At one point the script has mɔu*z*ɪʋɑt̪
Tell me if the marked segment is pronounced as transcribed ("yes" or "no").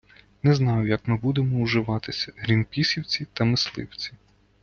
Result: no